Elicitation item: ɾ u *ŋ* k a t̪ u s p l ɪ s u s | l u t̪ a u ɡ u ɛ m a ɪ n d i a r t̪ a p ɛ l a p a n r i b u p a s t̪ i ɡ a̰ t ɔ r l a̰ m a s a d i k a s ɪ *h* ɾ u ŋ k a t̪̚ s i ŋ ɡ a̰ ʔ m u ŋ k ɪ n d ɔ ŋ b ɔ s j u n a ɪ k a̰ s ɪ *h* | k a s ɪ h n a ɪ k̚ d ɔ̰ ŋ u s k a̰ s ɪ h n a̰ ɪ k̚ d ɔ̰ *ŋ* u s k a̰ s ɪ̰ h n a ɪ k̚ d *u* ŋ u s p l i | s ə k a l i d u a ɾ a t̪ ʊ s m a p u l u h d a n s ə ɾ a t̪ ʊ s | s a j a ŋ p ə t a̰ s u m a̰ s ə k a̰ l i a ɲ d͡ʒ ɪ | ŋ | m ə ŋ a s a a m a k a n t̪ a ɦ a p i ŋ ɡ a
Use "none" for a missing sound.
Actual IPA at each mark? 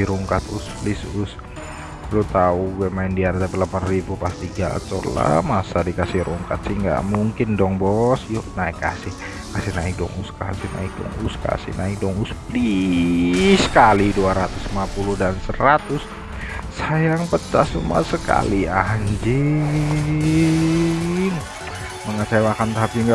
ŋ, h, h, ŋ, ɔ

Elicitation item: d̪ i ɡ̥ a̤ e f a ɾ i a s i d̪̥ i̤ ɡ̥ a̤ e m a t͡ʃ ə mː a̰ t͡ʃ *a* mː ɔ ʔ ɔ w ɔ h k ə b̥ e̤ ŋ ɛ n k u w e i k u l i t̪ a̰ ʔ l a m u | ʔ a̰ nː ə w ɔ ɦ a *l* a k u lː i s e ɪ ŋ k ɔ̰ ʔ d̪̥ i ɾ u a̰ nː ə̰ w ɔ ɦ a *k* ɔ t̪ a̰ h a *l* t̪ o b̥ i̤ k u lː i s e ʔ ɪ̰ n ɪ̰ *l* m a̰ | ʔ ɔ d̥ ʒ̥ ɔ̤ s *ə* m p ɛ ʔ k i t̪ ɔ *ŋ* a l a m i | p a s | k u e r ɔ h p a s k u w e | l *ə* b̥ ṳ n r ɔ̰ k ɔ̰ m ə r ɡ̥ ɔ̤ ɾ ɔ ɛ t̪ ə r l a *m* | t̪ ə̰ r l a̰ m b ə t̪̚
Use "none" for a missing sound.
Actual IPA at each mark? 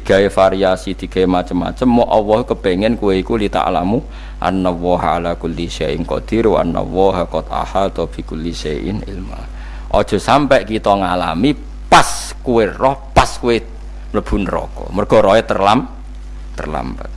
ə, l, k, l, l, a, ŋ, ə, m

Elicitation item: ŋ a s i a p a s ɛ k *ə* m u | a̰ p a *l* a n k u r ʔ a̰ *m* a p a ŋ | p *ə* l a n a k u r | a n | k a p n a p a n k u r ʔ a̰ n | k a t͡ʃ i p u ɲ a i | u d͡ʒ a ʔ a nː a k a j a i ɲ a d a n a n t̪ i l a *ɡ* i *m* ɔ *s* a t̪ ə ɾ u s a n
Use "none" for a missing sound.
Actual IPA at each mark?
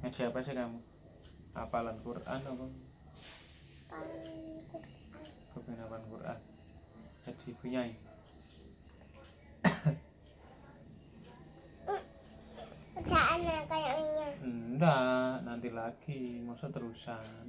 a, l, n, a, k, m, s

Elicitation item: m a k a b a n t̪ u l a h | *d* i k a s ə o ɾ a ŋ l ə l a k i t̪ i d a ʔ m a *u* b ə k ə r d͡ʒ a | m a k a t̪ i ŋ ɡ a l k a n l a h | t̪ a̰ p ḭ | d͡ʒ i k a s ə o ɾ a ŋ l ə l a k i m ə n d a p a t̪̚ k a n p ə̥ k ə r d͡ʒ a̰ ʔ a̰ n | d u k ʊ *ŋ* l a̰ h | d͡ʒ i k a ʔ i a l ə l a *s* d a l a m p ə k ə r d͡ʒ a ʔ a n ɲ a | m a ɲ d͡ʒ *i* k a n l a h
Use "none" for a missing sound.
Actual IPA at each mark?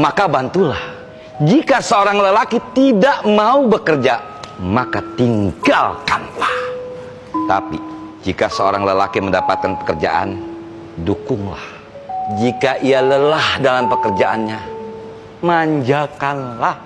d͡ʒ, u, ŋ, h, a

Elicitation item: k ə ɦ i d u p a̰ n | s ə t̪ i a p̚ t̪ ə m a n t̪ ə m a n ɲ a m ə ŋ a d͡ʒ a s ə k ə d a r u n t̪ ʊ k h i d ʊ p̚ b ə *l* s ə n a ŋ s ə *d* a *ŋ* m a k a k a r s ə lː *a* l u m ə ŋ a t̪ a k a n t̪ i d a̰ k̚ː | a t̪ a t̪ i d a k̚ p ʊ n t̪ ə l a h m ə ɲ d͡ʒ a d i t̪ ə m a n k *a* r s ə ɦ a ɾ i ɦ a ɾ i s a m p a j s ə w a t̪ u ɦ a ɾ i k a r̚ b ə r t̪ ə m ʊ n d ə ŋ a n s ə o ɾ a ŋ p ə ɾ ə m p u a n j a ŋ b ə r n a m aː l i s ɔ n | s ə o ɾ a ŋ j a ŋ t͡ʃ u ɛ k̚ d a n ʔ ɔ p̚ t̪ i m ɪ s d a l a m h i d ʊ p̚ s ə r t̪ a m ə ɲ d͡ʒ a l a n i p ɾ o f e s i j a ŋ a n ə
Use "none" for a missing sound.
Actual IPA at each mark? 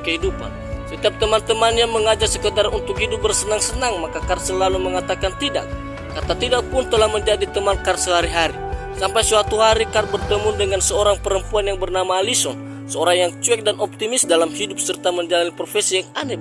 r, n, ŋ, a, a

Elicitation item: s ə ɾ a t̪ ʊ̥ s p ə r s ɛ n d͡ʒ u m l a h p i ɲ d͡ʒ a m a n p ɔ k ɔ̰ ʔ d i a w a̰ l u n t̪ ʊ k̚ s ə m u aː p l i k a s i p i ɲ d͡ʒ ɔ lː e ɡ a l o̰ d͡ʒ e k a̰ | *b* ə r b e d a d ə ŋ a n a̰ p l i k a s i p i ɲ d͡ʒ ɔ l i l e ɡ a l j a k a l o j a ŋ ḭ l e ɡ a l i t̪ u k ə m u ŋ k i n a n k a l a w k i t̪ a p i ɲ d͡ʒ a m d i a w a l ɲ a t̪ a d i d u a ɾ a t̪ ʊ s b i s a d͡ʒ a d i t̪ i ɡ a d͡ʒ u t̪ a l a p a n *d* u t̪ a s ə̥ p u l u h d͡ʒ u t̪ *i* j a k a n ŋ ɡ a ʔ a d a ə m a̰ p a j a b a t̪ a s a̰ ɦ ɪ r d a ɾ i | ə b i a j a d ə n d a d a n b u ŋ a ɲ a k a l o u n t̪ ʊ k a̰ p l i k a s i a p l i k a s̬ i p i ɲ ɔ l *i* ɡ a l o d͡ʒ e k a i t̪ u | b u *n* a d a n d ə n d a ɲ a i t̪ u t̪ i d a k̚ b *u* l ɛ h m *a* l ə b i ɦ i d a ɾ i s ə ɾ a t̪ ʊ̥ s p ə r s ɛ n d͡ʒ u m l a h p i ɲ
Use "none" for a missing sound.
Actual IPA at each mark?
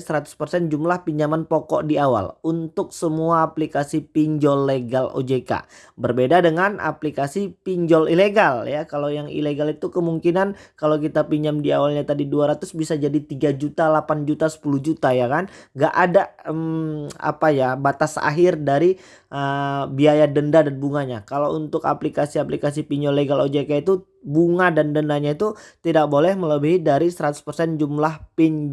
b, d͡ʒ, a, e, ŋ, o, ə

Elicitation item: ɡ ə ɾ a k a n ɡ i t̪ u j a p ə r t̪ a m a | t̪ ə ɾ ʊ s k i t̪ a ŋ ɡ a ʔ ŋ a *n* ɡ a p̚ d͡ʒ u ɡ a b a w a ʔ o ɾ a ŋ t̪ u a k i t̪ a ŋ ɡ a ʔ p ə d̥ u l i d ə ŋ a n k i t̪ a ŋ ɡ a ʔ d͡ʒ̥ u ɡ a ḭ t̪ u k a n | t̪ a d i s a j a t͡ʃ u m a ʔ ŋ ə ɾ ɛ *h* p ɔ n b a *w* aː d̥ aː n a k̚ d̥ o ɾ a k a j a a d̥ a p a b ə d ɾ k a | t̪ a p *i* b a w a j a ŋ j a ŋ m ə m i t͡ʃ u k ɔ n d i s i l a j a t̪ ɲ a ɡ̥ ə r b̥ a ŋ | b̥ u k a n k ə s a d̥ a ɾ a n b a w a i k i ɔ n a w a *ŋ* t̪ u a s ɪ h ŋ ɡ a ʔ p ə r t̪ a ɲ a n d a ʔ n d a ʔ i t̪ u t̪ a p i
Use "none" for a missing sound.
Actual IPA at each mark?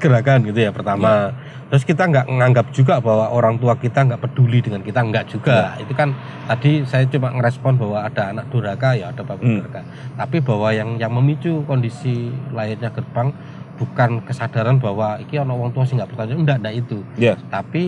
ŋ, s, w, i, ŋ

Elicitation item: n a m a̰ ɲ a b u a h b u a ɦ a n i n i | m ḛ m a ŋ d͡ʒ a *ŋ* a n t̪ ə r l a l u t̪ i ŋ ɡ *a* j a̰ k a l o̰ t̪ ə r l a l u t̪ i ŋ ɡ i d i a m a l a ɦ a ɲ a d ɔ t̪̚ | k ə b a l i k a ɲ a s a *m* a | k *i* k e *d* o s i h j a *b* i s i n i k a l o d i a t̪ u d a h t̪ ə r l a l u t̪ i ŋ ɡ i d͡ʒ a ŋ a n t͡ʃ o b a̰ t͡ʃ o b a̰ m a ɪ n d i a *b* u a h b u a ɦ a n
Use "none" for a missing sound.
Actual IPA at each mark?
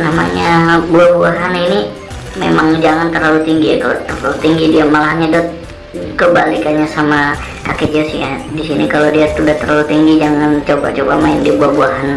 ŋ, i, m, a, d͡ʒ, d, b

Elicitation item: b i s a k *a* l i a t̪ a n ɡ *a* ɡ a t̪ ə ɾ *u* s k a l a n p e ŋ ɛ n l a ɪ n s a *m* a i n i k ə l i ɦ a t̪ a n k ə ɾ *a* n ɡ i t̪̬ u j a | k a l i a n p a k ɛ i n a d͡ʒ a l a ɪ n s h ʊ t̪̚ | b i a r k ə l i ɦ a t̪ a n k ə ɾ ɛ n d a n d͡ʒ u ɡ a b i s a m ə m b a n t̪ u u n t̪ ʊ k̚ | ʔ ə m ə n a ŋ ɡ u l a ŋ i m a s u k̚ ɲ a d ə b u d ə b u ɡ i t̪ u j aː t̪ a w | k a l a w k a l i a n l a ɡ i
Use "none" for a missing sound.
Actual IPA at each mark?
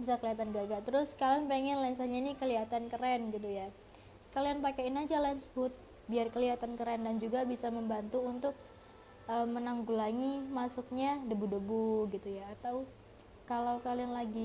ə, a, ʊ, ɲ, ɛ

